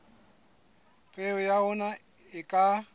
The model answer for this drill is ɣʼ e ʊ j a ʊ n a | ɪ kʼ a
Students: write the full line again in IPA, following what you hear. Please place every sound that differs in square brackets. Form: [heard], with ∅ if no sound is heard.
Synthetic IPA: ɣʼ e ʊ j a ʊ n a | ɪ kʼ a